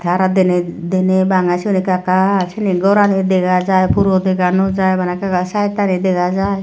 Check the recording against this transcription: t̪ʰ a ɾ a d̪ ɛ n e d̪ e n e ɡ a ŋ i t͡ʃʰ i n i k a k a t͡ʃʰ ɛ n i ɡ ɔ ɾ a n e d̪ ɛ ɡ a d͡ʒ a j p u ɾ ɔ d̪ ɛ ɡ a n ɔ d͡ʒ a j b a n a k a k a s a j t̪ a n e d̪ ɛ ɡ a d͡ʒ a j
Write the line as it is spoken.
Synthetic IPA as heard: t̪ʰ a ɾ a d̪ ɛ n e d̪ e n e b a ŋ a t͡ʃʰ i n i k a k a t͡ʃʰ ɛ n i ɡ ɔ ɾ a n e d̪ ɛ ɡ a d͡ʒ a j p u ɾ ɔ d̪ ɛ ɡ a n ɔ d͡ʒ a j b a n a k a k a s a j t̪ a n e d̪ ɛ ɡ a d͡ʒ a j